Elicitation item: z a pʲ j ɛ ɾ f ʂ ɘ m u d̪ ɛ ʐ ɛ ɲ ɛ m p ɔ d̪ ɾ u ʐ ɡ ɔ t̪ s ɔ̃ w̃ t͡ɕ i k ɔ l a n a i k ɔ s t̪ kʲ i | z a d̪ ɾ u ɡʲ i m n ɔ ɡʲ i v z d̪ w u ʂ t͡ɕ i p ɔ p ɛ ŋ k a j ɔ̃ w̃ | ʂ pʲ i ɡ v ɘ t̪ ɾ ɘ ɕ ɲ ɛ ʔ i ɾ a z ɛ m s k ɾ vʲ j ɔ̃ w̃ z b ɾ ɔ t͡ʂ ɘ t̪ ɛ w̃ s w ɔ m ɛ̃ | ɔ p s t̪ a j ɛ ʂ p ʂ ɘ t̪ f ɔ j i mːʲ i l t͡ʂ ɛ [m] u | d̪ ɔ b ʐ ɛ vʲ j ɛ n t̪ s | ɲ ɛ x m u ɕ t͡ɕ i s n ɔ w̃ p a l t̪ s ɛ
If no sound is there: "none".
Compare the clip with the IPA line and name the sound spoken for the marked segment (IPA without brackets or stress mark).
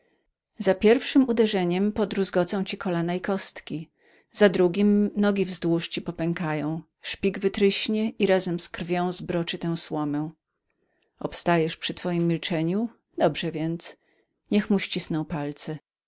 ɲ